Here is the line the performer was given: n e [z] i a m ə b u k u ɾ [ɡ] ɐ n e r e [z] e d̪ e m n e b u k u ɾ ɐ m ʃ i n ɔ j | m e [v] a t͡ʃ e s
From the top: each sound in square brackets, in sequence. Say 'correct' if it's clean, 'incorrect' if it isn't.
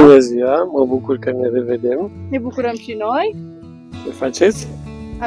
correct, incorrect: k, incorrect: v, incorrect: f

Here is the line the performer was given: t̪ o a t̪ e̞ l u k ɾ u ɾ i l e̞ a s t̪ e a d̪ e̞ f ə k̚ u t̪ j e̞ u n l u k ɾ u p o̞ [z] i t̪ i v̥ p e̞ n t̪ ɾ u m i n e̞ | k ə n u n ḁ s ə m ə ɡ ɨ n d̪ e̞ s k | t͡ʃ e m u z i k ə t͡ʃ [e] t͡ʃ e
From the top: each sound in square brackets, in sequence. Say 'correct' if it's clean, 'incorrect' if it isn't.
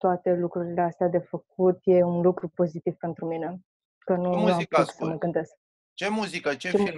correct, correct

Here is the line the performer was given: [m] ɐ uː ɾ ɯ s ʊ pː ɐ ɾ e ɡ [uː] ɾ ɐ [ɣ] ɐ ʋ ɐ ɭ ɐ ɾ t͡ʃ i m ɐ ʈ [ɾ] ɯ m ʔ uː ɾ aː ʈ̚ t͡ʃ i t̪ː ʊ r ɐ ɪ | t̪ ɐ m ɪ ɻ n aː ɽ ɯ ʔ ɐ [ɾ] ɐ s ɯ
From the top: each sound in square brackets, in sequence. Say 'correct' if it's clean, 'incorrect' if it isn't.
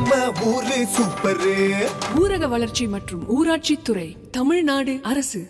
correct, correct, correct, incorrect: r, correct

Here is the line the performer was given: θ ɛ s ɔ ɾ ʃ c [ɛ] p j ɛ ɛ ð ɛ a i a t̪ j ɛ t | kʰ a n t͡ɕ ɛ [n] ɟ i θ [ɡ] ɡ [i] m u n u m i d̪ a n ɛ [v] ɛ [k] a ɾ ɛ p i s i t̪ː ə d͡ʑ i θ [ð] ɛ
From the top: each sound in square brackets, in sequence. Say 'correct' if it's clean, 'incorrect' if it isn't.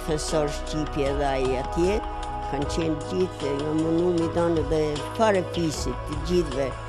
incorrect: i, correct, incorrect: ŋ, incorrect: a, incorrect: ð, incorrect: p, incorrect: v

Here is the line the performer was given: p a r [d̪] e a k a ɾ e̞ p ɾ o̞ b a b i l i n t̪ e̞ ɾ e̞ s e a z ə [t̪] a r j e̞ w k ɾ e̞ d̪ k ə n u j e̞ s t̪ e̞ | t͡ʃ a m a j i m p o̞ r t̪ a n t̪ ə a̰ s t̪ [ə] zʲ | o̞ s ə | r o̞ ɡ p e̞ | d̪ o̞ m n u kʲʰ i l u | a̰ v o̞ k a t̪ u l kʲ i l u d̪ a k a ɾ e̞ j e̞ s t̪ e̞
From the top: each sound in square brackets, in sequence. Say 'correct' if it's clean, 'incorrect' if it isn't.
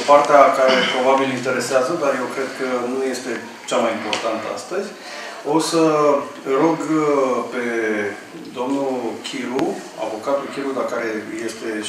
incorrect: t̪, incorrect: d̪, correct

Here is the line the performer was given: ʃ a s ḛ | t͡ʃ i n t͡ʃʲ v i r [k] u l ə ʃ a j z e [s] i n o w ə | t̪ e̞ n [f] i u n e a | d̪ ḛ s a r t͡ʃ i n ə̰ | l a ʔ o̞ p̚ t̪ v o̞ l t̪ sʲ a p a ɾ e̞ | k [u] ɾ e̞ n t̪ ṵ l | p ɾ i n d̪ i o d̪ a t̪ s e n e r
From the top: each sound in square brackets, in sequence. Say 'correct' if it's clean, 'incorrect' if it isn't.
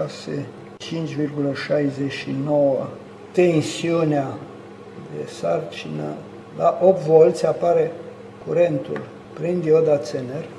incorrect: ɡ, incorrect: ʃ, incorrect: s, correct

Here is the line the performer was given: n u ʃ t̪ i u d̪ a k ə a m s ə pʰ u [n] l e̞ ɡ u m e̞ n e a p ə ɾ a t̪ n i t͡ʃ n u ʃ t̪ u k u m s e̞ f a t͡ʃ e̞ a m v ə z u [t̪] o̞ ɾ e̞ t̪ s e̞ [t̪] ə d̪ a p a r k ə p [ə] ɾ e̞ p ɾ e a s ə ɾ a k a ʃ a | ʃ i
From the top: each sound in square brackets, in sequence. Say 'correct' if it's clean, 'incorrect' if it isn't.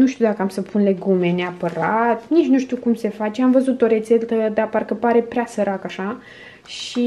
correct, correct, correct, incorrect: a

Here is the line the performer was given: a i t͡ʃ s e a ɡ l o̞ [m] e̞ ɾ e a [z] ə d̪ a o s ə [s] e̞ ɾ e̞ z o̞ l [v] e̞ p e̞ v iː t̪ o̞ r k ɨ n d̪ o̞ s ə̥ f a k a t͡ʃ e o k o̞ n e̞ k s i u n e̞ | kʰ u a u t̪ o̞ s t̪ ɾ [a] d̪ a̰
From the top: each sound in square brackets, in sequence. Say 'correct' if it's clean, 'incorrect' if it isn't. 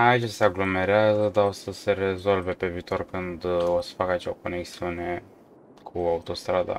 correct, correct, correct, correct, correct

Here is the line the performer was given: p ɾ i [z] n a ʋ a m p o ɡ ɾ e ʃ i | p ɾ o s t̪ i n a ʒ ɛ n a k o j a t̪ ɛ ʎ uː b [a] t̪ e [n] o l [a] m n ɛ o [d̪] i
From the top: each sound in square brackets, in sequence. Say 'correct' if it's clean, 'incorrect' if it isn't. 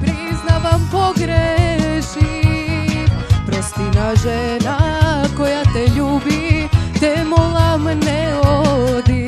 correct, incorrect: i, incorrect: m, correct, correct

